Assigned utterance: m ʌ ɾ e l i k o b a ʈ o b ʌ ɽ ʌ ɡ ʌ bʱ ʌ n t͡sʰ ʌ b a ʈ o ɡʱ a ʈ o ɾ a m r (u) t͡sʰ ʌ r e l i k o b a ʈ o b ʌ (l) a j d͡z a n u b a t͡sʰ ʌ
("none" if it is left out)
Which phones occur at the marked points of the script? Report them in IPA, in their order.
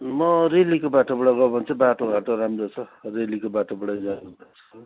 o, ɽ

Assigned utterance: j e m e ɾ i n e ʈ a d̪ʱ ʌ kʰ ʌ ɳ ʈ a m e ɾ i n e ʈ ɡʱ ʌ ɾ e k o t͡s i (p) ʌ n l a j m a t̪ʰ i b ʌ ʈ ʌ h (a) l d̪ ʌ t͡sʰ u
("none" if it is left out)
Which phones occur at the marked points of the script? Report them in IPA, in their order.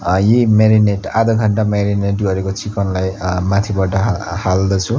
k, a

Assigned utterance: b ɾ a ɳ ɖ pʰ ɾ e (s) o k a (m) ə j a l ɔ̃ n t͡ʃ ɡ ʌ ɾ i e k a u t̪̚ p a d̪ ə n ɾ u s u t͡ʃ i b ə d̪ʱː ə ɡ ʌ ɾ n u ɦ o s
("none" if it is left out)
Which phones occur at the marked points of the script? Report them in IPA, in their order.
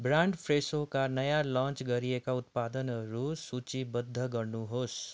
s, n

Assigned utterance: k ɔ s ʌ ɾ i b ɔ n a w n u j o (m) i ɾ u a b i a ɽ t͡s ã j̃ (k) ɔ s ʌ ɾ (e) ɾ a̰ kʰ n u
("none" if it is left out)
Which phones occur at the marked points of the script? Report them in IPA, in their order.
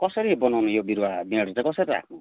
b, k, i

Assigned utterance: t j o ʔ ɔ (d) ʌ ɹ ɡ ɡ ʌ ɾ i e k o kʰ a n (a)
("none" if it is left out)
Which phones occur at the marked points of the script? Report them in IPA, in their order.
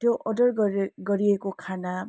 d, a

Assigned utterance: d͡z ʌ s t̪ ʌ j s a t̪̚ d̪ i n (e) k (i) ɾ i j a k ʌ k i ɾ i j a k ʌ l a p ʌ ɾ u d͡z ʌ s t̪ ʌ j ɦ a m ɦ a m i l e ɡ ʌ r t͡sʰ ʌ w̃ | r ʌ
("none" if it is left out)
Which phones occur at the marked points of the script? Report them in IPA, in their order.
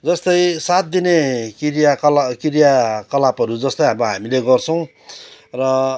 e, i

